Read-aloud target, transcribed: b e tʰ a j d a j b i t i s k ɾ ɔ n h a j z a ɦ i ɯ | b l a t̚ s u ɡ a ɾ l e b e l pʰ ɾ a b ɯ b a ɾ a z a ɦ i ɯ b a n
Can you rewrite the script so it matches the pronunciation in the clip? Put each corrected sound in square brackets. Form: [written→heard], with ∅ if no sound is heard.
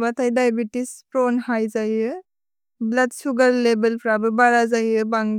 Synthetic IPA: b [e→a] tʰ a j d a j b i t i s [k→p] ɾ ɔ n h a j z a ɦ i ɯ | b l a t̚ s u ɡ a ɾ l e b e l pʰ ɾ a b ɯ b a ɾ a z a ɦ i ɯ b a [n→ŋ]